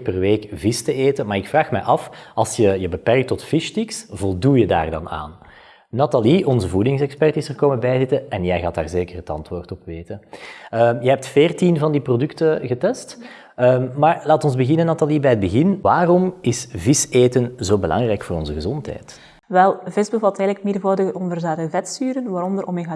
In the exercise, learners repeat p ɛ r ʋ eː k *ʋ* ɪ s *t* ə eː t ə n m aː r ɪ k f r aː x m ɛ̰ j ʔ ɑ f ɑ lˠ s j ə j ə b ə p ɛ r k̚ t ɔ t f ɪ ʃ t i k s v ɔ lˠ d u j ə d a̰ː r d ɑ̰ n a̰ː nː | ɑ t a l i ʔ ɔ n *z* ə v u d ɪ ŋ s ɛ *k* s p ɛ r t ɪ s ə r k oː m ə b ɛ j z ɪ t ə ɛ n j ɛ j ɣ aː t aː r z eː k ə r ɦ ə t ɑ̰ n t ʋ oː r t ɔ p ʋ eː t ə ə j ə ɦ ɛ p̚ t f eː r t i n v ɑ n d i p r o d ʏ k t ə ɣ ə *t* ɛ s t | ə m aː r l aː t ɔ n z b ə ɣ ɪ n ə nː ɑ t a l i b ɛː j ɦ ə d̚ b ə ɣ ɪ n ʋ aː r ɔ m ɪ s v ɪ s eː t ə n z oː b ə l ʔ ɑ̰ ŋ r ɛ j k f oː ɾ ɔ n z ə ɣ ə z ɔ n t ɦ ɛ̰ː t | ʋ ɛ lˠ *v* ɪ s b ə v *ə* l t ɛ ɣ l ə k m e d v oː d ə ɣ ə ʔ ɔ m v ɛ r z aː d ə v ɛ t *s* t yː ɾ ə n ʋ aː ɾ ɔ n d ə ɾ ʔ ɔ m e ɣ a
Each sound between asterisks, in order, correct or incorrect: incorrect, correct, correct, correct, correct, correct, incorrect, correct

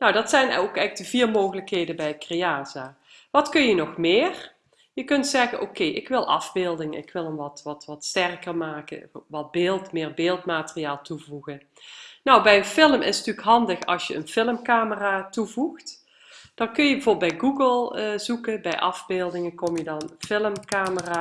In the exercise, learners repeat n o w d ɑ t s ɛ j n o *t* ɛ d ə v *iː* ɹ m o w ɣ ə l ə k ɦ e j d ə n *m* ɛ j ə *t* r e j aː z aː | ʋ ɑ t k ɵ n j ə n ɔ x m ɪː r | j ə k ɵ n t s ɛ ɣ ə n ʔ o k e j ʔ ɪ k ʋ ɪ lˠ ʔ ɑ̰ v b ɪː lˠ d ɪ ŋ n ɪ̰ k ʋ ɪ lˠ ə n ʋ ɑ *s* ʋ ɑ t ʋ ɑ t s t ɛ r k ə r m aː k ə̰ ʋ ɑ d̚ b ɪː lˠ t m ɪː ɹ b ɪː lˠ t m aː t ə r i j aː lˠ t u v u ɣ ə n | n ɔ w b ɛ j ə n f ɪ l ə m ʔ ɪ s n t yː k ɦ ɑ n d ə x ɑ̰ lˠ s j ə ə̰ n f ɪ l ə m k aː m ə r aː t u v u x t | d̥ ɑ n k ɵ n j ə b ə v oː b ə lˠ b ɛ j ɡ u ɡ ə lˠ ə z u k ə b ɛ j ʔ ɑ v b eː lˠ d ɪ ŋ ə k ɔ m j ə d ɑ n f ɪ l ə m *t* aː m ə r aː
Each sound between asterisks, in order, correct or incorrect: incorrect, correct, incorrect, incorrect, incorrect, incorrect

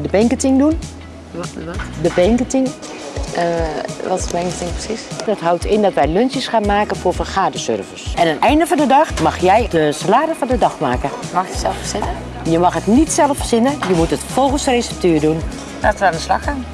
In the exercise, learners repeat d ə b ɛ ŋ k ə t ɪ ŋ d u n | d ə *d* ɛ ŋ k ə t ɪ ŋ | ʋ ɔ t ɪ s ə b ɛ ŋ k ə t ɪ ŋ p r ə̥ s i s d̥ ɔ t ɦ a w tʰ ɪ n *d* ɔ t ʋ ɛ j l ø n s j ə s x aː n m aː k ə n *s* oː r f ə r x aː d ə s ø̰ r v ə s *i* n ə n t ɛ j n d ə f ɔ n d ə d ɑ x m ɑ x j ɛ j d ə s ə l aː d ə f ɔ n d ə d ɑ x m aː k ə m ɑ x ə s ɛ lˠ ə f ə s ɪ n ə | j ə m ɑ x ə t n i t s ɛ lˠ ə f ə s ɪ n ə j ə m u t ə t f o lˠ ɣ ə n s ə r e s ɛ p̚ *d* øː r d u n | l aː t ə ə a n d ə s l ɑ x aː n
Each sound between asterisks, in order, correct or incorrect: incorrect, correct, incorrect, incorrect, incorrect

